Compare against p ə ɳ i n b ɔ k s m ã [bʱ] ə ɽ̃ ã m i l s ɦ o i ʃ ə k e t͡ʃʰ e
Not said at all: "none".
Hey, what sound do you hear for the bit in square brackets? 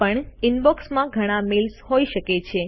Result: ɡʱ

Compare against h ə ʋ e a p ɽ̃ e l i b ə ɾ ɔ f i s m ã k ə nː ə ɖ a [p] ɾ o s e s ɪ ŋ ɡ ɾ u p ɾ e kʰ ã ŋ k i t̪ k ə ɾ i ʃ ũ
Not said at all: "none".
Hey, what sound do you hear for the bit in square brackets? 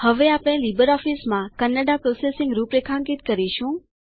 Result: p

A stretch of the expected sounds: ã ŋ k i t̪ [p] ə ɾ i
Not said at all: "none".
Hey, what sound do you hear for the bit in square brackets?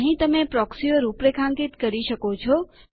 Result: k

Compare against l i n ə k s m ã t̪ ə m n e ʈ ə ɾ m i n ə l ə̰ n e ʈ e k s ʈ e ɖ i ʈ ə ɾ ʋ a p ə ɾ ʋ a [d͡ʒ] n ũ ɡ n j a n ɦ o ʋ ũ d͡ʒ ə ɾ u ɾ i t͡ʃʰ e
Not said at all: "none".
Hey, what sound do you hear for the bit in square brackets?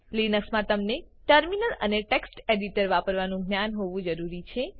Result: none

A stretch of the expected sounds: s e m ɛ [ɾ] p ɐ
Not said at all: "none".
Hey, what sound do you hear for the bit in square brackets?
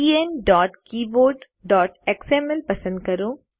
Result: l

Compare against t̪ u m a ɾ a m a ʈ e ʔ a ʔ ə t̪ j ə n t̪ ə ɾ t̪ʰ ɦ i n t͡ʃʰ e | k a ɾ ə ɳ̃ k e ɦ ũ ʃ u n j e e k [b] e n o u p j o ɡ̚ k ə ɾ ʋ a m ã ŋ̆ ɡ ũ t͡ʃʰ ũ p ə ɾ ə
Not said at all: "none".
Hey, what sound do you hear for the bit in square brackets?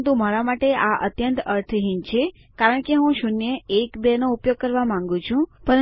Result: b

